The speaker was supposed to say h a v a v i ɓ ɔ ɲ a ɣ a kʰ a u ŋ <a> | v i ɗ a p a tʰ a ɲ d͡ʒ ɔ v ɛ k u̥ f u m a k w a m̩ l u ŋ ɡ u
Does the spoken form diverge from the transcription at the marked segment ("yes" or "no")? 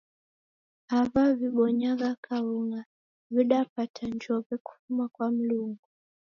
no